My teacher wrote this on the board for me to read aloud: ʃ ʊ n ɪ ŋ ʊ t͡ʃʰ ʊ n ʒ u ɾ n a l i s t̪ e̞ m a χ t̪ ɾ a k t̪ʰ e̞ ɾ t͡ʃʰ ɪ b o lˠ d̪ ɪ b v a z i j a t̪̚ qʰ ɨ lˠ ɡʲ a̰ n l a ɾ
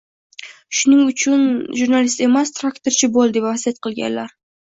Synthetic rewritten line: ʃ ʊ n ɪ ŋ ʊ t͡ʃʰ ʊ n ʒ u ɾ n a l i s t̪ e̞ m a s t̪ ɾ a k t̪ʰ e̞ ɾ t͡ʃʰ ɪ b o lˠ d̪ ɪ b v a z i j a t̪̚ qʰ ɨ lˠ ɡʲ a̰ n l a ɾ